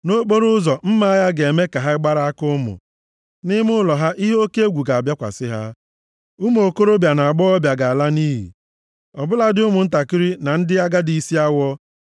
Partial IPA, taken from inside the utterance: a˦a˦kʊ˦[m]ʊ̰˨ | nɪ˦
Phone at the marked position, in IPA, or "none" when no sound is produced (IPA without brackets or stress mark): m